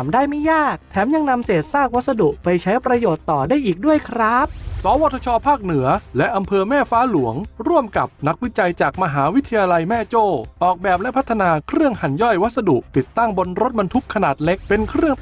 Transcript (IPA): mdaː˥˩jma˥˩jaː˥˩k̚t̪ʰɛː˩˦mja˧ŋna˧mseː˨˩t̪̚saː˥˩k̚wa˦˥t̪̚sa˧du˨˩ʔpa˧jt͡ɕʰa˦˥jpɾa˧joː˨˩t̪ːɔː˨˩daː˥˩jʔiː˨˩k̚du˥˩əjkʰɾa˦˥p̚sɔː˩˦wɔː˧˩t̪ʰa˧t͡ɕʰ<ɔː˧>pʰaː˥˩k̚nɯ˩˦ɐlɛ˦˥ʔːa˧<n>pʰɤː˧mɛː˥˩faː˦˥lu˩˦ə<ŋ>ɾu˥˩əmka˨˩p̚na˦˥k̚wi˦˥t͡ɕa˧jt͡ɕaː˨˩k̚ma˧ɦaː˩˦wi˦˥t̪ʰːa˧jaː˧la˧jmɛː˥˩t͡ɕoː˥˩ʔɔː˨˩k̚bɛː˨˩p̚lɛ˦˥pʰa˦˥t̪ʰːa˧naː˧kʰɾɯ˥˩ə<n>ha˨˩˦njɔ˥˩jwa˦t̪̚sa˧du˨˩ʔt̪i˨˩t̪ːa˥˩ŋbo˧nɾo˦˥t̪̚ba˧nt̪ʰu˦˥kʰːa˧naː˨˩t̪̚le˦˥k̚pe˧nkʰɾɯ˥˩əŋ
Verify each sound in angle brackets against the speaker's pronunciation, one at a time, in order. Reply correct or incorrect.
correct, incorrect: m, correct, incorrect: ŋ

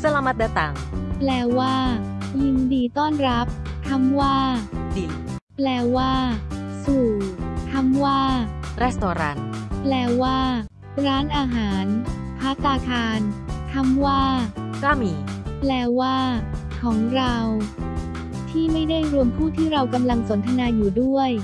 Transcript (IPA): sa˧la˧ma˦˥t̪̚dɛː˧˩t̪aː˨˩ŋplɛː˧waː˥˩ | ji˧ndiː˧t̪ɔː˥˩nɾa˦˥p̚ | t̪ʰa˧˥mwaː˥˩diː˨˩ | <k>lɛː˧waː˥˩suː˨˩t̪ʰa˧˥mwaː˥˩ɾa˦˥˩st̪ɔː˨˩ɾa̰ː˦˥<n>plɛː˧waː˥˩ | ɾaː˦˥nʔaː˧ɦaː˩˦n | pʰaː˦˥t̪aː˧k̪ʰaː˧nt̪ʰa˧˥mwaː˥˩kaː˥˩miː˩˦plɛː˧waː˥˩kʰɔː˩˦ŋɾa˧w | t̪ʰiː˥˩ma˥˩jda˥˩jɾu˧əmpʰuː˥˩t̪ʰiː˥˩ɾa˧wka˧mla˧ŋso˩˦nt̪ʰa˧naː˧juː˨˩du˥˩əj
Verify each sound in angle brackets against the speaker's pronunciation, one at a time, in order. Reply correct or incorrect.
incorrect: p, correct

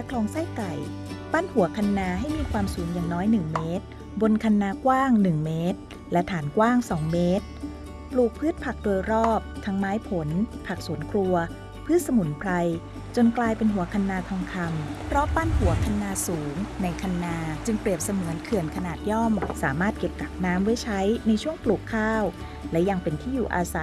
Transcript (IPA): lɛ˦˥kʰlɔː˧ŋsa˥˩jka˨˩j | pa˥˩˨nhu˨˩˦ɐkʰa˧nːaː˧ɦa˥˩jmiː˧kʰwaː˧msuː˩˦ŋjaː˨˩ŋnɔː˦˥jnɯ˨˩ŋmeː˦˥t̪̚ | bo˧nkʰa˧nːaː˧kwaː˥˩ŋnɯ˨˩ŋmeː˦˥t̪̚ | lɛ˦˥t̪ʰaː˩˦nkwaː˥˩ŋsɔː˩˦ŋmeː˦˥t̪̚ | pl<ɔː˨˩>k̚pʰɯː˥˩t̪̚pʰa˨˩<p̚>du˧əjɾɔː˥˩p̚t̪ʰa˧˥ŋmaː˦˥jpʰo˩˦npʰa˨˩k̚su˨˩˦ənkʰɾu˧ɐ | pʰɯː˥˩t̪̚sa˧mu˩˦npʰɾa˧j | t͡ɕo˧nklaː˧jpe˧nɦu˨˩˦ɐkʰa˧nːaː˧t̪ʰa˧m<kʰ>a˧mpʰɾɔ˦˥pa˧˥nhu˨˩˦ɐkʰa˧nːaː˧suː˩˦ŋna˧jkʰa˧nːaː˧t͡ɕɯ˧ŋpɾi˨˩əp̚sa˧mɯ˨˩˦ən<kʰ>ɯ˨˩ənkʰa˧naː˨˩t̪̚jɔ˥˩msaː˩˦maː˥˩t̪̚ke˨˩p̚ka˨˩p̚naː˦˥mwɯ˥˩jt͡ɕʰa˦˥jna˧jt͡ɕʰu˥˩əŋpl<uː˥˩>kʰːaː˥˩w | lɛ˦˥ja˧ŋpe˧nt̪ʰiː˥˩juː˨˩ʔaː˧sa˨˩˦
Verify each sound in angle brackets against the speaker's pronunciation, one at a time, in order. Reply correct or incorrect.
incorrect: uː˨˩, incorrect: k̚, correct, correct, incorrect: uː˨˩

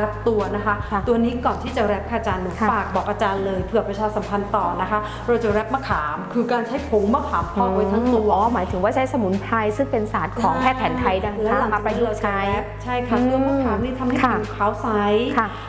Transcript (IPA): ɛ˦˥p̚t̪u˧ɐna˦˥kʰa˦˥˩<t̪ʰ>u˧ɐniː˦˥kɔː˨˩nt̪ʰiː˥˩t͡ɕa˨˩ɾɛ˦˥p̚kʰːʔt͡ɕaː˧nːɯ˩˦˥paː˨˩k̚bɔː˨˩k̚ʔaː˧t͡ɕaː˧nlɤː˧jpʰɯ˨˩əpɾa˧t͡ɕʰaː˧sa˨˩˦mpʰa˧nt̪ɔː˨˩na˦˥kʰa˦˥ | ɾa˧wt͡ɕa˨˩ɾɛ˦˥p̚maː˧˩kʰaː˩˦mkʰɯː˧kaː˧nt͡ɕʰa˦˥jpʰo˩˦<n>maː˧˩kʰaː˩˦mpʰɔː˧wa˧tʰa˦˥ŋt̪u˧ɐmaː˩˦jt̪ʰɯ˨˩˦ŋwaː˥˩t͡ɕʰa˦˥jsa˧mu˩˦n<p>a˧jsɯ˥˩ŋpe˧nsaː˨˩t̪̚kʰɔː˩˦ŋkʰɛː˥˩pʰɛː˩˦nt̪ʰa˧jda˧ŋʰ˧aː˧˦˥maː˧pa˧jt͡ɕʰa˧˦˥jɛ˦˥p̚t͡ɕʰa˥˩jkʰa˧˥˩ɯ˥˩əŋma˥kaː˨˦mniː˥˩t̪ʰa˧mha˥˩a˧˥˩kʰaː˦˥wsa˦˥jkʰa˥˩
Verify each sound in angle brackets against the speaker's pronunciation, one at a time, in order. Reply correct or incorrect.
incorrect: t̪, incorrect: ŋ, incorrect: pʰ

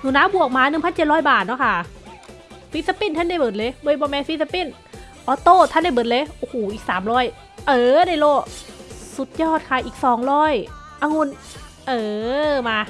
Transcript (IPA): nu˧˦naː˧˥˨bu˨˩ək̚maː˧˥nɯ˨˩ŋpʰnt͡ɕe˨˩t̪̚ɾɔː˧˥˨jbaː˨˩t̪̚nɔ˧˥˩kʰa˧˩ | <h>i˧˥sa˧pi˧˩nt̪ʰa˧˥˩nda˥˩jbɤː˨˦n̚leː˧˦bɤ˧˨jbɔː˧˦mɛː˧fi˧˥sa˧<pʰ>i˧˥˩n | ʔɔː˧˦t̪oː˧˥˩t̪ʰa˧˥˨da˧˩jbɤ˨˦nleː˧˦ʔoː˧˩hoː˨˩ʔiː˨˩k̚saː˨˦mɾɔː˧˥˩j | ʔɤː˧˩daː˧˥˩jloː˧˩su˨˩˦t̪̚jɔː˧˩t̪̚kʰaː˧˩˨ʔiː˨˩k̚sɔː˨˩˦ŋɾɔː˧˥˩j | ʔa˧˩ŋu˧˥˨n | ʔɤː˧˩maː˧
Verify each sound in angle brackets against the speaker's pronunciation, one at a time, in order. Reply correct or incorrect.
incorrect: f, incorrect: p

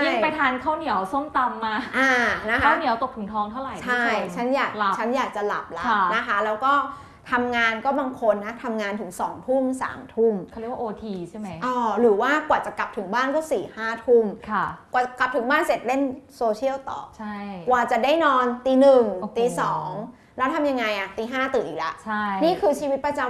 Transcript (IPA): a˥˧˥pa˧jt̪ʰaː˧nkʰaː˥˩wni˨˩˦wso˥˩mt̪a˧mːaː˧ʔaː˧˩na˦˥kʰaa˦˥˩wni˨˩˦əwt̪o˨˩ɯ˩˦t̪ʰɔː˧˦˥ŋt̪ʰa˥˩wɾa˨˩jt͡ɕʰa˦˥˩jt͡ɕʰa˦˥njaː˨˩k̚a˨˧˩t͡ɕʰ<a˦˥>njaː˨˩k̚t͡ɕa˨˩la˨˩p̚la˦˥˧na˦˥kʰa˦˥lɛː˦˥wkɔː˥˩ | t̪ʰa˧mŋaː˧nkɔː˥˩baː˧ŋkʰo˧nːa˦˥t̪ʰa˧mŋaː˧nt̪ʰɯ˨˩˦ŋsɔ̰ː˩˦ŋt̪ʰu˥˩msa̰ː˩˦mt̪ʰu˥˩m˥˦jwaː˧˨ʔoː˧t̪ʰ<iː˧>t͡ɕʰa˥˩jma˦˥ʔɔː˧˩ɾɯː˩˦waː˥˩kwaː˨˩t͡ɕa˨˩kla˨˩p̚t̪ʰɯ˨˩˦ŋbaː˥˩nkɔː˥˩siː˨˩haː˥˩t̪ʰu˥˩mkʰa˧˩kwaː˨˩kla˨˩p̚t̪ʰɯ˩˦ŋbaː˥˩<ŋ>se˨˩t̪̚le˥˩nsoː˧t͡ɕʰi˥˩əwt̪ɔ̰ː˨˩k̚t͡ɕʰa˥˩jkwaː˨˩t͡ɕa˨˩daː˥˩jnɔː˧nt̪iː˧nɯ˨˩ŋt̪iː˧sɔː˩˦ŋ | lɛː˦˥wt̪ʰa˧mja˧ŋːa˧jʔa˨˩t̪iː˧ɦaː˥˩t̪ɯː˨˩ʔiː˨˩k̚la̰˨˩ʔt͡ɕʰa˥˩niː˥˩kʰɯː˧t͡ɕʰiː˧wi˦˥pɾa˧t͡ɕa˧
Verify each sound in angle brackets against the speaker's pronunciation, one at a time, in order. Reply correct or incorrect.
correct, correct, incorrect: n

